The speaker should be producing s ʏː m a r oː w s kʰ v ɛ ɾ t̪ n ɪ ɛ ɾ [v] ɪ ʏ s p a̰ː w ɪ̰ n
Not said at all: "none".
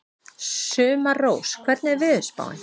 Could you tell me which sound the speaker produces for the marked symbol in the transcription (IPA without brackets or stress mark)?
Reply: v